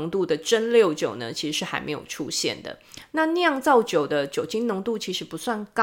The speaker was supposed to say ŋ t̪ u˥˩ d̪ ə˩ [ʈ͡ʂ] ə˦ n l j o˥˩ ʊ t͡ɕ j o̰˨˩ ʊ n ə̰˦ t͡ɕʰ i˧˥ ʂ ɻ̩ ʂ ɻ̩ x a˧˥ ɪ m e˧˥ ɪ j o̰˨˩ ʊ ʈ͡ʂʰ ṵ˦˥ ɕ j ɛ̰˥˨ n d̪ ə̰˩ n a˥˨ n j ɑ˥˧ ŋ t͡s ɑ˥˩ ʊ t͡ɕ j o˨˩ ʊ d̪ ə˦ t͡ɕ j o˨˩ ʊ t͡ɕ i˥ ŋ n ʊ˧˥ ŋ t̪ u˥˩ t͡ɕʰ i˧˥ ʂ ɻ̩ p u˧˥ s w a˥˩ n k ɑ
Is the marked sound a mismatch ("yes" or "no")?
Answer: no